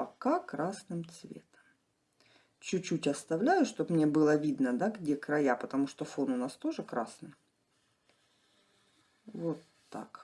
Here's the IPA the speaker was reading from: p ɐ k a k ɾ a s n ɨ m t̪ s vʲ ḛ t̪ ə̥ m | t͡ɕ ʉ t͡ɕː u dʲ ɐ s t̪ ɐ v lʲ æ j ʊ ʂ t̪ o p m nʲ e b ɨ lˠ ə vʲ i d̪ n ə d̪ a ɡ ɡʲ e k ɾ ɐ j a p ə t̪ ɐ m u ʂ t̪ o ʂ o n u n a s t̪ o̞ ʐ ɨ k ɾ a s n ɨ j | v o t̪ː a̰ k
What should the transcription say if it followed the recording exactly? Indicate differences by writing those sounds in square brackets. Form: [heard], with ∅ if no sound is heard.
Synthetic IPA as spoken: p ɐ k a k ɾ a s n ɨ m t̪ s vʲ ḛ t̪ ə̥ m | t͡ɕ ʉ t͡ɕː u [tʲ] ɐ s t̪ ɐ v lʲ æ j ʊ ʂ t̪ o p m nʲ e b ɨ lˠ ə vʲ i d̪ n ə d̪ a ɡ [dʲ] e k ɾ ɐ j a p ə t̪ ɐ m u ʂ t̪ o [f] o n [ʊ] n a s t̪ o̞ ʐ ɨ k ɾ a s n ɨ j | v o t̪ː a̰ k